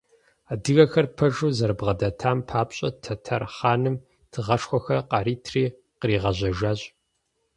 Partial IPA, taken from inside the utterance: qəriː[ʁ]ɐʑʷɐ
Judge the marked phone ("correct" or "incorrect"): correct